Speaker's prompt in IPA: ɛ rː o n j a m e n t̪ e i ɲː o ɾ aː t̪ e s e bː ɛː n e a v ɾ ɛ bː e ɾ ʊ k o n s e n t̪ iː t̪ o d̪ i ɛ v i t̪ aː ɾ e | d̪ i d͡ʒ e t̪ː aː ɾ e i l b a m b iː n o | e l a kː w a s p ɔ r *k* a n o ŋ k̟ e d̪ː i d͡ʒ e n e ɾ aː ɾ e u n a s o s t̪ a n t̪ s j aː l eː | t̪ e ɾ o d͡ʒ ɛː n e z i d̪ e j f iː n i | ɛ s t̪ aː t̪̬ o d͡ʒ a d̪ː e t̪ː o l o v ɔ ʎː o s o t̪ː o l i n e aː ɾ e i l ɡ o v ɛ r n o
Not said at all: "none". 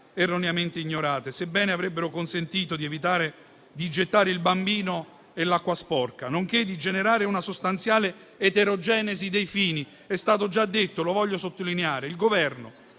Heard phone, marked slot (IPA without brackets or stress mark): k